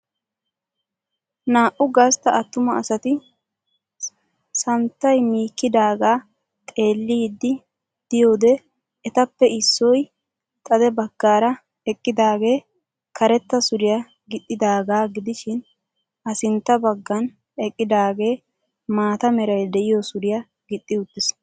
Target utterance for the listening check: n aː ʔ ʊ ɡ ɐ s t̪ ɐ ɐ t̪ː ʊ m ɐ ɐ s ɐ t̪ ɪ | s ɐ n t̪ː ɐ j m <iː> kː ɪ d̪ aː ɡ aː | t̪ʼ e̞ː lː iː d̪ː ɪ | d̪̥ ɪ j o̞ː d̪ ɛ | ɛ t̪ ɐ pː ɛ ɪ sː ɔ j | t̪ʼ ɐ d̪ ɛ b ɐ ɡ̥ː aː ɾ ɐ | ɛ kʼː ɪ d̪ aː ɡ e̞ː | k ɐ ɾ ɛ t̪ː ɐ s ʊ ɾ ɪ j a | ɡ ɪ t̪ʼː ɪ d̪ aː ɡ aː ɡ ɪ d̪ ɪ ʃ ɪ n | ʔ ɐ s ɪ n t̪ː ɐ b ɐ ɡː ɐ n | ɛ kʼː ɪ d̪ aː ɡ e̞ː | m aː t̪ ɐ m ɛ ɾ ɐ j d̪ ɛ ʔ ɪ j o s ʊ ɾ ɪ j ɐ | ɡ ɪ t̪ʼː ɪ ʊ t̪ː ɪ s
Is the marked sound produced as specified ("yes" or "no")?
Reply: yes